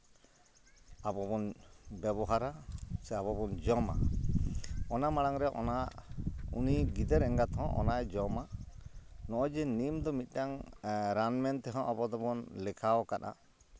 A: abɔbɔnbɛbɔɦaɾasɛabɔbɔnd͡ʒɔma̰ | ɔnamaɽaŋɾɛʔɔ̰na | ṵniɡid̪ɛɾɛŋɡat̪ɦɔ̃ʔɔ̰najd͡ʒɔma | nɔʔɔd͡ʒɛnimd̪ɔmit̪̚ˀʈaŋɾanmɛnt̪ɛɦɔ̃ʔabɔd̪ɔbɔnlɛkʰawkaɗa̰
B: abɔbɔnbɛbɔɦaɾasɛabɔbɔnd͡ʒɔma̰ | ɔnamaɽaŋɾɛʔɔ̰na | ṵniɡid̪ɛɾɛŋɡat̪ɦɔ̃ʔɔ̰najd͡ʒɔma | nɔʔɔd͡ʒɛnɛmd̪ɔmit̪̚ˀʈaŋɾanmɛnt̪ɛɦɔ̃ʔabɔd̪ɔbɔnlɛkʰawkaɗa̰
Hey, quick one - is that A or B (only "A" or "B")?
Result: A